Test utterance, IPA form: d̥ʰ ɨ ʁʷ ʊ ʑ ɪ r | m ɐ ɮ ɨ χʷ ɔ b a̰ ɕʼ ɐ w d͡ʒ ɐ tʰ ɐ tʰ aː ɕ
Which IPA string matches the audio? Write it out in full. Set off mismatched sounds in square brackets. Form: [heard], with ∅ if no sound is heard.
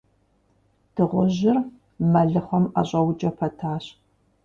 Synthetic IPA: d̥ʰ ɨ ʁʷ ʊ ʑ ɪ r | m ɐ ɮ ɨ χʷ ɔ [m] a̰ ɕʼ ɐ w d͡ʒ ɐ [pʰ] ɐ tʰ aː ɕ